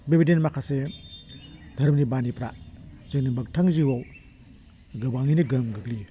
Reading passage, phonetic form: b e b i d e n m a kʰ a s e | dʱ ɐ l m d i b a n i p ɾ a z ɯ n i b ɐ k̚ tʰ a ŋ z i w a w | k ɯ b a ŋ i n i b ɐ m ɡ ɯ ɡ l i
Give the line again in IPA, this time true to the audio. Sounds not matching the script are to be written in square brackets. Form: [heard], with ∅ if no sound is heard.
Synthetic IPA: b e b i d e n m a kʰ a s e | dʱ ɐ [ɾ] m [n] i b a n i p ɾ a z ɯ n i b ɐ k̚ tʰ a ŋ z i w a w | [ɡ] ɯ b a ŋ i n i [ɡ] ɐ m ɡ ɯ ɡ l i